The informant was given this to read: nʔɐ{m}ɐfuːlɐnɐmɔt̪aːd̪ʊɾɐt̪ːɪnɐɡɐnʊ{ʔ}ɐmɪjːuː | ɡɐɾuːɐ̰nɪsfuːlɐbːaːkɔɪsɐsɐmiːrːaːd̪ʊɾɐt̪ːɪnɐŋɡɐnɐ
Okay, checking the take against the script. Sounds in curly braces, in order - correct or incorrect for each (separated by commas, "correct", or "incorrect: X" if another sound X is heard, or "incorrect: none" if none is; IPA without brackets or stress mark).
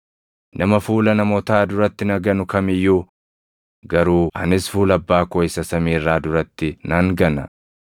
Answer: correct, incorrect: k